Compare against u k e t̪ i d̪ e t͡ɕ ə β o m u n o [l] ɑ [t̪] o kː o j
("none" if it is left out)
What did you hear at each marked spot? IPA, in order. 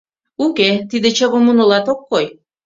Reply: l, t̪

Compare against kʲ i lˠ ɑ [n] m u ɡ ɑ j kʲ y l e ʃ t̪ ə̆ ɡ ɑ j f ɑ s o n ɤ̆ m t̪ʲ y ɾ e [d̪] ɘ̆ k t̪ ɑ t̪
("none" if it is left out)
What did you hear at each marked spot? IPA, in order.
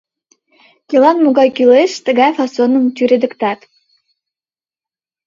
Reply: n, d̪

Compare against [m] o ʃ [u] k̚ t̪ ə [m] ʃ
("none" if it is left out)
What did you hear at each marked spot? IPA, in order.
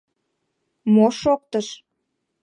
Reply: m, o, none

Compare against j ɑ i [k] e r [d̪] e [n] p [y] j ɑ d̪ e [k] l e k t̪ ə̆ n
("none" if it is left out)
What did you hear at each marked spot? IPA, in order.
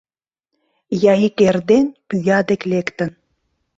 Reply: k, d̪, n, y, k

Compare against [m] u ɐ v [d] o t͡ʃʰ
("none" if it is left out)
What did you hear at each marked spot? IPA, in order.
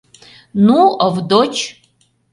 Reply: n, d

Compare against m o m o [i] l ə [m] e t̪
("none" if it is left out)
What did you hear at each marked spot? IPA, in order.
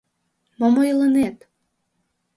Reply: j, n

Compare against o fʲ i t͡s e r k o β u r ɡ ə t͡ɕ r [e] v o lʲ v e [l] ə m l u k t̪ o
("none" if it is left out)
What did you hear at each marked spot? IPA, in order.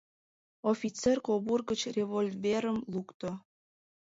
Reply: e, ɾ

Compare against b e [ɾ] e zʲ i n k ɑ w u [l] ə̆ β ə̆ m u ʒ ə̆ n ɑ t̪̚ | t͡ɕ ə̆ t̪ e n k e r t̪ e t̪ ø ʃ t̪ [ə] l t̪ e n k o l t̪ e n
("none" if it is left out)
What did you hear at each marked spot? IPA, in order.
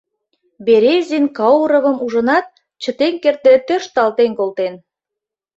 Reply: ɾ, ɾ, ɑ

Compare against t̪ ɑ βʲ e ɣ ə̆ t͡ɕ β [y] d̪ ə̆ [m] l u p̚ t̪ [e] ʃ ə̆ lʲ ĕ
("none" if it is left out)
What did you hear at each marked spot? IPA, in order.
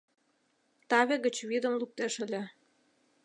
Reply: i, m, e

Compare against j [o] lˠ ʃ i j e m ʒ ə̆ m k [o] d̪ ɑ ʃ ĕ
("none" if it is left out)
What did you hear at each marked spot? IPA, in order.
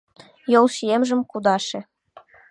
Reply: o, u

